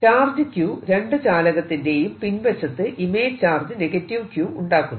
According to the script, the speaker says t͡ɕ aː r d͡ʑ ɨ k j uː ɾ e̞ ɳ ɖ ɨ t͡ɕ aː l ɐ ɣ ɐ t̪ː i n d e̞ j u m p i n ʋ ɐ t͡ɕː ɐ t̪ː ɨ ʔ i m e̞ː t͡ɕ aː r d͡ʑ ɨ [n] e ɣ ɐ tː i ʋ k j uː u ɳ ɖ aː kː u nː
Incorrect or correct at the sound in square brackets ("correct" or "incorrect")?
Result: correct